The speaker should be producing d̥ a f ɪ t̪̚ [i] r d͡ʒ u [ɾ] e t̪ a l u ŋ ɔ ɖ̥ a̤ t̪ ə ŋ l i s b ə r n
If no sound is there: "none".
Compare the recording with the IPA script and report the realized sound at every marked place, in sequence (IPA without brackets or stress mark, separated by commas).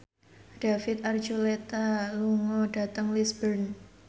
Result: a, l